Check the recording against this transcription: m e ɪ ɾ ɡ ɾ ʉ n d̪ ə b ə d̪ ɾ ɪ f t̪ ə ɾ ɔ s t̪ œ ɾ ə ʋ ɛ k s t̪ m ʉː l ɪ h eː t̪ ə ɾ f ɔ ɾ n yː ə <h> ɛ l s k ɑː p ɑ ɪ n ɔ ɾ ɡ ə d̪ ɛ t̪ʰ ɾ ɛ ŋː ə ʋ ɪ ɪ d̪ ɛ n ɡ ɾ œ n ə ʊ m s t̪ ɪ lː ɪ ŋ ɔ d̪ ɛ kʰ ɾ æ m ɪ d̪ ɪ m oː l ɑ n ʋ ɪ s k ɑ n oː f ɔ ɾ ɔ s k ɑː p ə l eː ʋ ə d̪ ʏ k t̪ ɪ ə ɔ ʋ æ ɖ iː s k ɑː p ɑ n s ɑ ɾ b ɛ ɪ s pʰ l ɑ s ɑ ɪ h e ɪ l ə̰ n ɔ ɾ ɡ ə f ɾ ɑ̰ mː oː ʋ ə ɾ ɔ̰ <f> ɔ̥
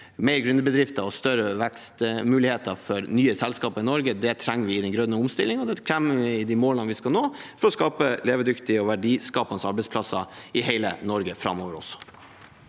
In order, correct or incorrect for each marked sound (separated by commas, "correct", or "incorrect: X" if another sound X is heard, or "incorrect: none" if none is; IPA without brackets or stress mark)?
incorrect: s, incorrect: s